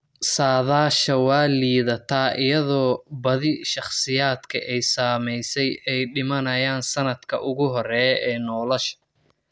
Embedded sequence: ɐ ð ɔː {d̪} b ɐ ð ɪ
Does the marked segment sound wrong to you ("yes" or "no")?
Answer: yes